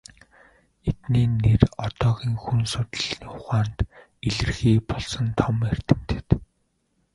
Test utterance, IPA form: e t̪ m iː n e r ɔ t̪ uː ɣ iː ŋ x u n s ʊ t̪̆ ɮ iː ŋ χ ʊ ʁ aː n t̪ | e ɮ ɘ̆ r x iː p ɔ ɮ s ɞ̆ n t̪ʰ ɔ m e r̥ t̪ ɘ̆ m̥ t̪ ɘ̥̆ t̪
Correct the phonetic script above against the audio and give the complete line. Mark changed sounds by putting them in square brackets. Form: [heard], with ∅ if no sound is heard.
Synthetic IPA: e t̪ [n] iː n e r ɔ t̪ [ɔː] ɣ iː ŋ x u n s ʊ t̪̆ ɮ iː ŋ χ ʊ [χ] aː n t̪ | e ɮ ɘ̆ r x iː p ɔ ɮ s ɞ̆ n t̪ʰ ɔ m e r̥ t̪ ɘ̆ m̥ t̪ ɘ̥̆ t̪